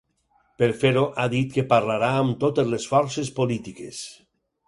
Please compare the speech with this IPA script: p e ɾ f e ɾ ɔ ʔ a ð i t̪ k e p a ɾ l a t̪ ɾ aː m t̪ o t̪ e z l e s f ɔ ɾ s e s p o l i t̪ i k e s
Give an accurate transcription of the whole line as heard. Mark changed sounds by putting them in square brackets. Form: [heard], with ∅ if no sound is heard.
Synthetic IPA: p e ɾ f e ɾ [o] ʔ a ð i t̪ k e p a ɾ l a [∅] ɾ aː m t̪ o t̪ e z l e s f ɔ ɾ s e s p o l i t̪ i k e s